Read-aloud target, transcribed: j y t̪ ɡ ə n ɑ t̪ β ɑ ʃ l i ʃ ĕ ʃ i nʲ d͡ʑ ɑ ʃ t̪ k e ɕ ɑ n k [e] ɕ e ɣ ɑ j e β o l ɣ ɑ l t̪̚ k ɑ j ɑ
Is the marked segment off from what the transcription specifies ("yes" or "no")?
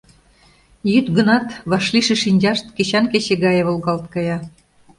no